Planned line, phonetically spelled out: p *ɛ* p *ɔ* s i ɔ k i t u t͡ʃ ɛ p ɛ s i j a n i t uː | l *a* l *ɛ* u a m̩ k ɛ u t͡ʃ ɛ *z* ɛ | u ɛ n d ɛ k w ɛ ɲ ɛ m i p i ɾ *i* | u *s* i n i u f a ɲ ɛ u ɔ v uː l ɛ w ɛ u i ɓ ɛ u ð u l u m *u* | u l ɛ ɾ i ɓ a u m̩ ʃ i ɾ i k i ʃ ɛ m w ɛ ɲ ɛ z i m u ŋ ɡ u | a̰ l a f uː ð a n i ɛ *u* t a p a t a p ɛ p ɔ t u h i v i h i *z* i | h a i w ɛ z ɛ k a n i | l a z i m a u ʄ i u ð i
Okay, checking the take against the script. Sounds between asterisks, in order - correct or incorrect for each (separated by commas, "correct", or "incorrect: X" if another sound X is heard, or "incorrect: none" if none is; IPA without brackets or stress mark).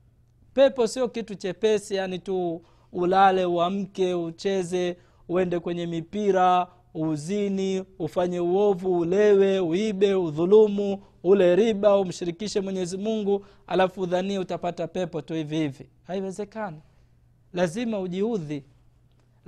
correct, correct, correct, correct, correct, incorrect: a, incorrect: z, correct, correct, incorrect: v